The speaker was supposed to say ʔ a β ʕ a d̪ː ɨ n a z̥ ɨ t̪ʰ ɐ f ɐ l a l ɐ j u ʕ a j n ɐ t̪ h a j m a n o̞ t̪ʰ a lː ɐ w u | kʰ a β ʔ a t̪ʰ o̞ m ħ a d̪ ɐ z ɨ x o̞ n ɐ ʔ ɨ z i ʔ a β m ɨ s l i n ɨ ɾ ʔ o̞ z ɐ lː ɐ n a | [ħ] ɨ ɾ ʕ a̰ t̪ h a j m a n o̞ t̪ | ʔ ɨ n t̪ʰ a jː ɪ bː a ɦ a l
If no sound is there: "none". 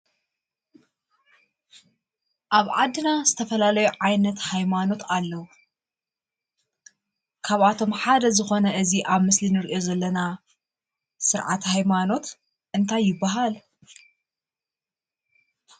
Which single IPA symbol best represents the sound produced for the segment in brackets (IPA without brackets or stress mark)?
s